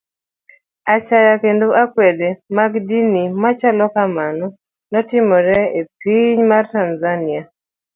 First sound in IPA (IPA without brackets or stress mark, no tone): a